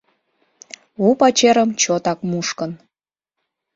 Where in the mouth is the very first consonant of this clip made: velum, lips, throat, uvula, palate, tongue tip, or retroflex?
lips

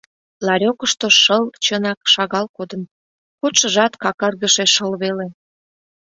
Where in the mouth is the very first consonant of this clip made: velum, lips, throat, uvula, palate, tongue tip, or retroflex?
tongue tip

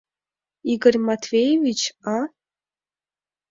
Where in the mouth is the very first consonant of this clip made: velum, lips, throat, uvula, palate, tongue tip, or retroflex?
velum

